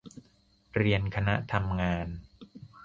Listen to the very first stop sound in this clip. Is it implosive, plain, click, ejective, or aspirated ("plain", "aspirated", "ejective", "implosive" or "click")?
aspirated